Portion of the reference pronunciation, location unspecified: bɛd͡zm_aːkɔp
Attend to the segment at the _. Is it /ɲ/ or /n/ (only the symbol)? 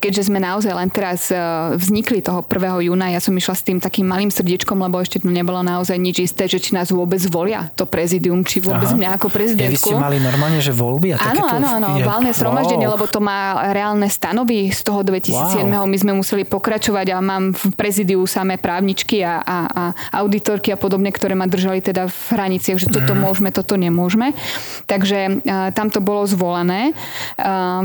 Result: ɲ